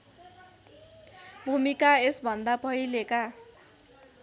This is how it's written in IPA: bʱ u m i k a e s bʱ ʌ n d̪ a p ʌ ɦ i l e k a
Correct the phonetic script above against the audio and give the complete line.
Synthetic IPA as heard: bʱ u m i k a e s bʱ ʌ n d̪ a p ʌ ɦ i l e k a